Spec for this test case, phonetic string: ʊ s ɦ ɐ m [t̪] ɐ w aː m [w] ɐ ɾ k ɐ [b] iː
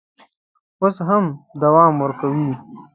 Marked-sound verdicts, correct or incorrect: incorrect: d̪, correct, incorrect: w

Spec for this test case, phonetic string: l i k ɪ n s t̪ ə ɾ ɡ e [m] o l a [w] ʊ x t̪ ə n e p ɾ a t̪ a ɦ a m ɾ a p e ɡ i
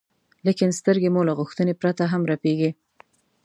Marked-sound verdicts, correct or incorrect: correct, incorrect: ɣ

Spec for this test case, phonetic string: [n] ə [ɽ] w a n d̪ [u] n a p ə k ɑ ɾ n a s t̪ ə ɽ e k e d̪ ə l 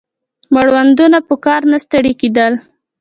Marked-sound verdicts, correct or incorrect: incorrect: m, correct, correct

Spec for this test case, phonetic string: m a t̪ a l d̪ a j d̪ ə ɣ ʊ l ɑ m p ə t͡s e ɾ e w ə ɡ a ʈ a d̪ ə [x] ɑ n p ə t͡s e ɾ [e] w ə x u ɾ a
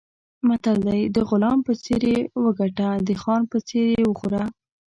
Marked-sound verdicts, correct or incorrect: correct, correct

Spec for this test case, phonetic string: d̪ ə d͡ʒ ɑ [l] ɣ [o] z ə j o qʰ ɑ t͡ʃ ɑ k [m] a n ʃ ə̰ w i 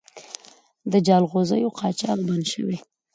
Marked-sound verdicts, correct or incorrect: correct, correct, incorrect: b

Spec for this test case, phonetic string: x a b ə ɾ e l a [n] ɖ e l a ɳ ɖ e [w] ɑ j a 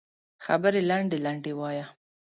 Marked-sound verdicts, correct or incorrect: incorrect: ɳ, correct

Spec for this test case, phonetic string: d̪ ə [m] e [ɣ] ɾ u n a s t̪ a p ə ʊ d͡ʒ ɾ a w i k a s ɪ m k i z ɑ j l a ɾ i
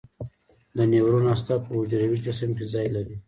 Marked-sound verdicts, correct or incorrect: incorrect: n, incorrect: w

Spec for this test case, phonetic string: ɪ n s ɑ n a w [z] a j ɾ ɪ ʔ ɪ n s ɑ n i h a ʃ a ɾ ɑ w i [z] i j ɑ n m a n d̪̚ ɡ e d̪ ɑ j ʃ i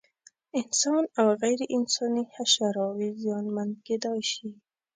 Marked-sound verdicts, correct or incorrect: incorrect: ɣ, correct

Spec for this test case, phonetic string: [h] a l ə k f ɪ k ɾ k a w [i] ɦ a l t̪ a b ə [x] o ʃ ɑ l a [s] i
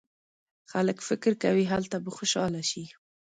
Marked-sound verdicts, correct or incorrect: incorrect: x, correct, correct, incorrect: ʃ

